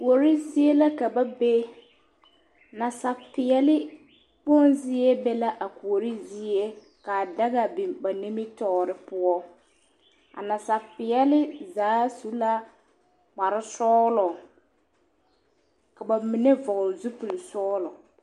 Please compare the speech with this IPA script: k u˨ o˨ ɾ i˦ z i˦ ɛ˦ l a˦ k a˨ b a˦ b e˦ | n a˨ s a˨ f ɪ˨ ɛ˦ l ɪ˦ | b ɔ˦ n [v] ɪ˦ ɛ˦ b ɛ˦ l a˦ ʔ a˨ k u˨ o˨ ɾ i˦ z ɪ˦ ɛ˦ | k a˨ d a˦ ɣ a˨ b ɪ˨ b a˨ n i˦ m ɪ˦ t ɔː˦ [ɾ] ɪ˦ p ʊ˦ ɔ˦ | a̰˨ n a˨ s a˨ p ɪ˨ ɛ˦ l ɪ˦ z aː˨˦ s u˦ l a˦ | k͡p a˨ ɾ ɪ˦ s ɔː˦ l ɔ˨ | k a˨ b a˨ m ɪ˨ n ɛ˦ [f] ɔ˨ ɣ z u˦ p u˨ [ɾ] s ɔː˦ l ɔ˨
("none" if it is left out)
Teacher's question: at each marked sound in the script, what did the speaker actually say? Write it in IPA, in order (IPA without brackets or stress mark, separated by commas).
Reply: z, ɾ, v, l